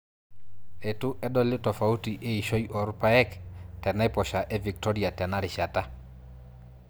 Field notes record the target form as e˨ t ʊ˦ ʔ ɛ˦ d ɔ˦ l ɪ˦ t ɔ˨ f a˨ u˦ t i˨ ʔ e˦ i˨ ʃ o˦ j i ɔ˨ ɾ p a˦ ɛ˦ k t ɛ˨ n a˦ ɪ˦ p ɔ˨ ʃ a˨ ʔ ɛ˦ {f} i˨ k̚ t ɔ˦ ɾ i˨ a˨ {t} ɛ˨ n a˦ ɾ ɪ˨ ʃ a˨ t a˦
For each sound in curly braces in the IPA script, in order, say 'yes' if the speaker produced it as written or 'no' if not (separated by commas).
no, yes